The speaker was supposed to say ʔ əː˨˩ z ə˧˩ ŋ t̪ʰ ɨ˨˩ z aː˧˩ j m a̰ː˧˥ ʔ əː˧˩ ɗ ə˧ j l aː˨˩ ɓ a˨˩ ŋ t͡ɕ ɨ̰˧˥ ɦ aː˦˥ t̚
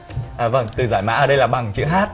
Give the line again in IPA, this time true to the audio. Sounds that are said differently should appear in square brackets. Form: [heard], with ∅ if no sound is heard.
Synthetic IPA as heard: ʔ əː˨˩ [v] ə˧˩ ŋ [t̪] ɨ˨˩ z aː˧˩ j m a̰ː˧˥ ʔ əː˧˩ ɗ ə˧ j l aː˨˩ ɓ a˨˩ ŋ t͡ɕ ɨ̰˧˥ ɦ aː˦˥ t̚